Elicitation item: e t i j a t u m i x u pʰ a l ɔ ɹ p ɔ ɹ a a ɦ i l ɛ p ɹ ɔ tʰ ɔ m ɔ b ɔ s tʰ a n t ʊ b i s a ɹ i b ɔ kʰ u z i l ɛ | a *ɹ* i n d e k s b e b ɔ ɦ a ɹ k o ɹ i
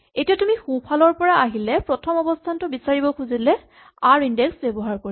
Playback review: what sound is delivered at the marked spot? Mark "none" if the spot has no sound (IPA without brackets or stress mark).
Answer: ɹ